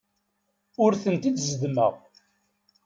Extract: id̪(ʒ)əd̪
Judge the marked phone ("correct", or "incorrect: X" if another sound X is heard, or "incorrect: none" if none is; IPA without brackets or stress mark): incorrect: z